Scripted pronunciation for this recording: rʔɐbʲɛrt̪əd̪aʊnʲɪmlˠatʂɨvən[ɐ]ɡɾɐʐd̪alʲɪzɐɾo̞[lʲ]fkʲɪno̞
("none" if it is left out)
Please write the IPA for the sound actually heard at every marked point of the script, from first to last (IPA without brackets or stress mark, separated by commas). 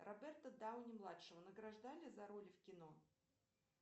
ə, lʲ